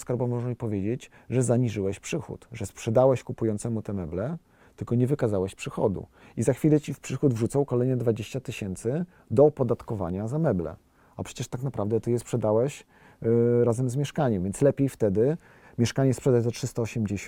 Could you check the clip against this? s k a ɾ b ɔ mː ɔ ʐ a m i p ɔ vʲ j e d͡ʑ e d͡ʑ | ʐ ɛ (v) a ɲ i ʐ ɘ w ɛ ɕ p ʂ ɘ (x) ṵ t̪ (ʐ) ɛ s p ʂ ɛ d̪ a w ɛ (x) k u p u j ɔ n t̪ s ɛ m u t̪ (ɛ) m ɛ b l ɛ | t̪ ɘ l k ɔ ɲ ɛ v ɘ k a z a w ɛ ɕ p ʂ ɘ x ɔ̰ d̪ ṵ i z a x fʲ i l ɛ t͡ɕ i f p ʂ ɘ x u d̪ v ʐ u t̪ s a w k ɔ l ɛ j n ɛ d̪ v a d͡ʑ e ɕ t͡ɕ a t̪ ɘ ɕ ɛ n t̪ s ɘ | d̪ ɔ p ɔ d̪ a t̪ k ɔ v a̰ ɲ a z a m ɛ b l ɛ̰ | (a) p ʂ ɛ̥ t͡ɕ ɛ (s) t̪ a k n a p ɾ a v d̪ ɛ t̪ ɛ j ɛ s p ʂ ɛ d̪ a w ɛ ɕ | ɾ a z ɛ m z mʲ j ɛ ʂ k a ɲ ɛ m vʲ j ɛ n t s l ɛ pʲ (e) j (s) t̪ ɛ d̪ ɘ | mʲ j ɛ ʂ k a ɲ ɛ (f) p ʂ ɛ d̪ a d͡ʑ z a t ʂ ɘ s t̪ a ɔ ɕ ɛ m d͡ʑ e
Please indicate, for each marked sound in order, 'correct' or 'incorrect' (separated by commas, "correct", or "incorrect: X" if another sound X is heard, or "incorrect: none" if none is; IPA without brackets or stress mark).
incorrect: z, correct, correct, incorrect: ɕ, correct, correct, incorrect: ʂ, correct, incorrect: f, incorrect: s